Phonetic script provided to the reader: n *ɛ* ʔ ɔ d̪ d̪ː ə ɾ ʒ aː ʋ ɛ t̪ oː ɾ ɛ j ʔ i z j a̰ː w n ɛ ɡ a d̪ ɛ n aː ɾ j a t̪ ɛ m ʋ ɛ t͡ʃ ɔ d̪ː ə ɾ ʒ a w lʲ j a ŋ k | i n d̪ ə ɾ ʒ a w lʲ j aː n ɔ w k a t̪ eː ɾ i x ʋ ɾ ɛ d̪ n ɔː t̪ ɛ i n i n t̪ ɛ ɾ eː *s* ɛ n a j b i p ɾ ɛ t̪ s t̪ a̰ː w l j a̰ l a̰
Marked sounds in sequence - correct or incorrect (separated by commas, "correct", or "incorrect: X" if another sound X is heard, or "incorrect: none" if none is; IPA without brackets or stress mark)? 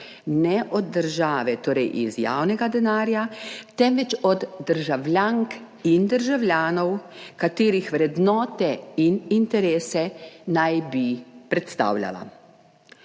correct, correct